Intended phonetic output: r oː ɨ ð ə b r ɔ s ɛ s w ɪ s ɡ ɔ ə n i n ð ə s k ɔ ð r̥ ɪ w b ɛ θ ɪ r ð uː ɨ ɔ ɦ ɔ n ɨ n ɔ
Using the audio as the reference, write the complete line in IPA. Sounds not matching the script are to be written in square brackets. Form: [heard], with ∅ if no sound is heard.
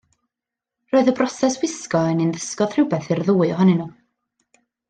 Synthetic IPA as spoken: r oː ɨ ð ə b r ɔ s ɛ s w ɪ s [k] ɔ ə n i n ð ə s k ɔ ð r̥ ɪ w b ɛ θ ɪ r ð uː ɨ ɔ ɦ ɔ n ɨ n [u]